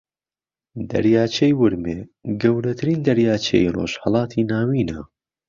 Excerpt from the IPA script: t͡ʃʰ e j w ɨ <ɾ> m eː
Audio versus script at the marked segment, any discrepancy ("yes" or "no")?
no